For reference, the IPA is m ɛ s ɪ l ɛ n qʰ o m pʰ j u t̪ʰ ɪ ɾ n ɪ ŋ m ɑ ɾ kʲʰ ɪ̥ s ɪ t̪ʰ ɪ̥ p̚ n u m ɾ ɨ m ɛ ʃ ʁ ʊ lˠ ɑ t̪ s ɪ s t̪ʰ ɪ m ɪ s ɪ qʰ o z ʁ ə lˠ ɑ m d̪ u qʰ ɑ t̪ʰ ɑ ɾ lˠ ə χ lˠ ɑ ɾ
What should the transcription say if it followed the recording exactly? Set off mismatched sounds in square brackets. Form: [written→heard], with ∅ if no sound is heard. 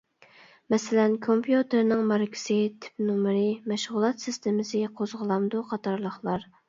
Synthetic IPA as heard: m ɛ s ɪ l ɛ n [qʰ→kʰ] o m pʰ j u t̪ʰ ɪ ɾ n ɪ ŋ m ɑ ɾ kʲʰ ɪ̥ s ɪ t̪ʰ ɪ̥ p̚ n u m ɾ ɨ m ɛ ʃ ʁ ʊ lˠ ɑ t̪ s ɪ s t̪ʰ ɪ m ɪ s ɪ qʰ o z ʁ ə lˠ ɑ m d̪ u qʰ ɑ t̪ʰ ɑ ɾ lˠ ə χ lˠ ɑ ɾ